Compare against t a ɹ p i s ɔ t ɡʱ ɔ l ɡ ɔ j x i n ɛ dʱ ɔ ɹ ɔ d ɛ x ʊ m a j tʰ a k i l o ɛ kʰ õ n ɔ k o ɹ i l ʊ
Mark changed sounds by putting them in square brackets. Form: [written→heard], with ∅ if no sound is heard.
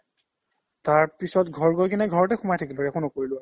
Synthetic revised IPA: t a ɹ p i s ɔ t ɡʱ ɔ [l→ɹ] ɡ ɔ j [x→k] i n ɛ [dʱ→ɡʱ] ɔ ɹ ɔ [d→t] ɛ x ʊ m a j tʰ a k i l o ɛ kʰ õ n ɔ k o ɹ i l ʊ